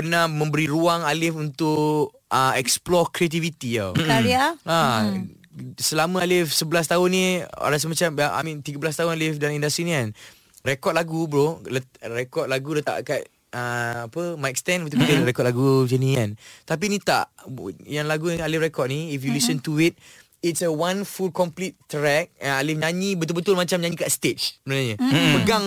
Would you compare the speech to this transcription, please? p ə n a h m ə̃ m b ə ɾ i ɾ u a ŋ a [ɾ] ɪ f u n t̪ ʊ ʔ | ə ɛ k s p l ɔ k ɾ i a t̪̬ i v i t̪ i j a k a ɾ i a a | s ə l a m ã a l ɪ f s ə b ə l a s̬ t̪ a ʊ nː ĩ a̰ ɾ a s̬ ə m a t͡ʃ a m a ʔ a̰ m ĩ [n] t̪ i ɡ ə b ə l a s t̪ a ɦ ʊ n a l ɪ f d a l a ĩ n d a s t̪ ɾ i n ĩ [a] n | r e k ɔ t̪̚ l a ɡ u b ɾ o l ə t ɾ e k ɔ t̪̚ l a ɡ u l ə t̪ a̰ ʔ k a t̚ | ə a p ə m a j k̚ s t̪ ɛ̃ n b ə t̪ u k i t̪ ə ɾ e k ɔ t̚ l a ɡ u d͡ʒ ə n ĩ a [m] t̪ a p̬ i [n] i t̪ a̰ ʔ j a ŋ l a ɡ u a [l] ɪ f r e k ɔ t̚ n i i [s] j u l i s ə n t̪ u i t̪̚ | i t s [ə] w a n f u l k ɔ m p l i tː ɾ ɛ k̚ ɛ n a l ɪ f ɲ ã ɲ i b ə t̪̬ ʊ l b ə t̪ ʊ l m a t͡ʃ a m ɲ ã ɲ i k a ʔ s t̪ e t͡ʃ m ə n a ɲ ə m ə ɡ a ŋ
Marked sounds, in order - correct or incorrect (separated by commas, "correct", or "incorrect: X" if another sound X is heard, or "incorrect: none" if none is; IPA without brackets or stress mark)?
incorrect: l, correct, correct, incorrect: n, correct, correct, incorrect: f, correct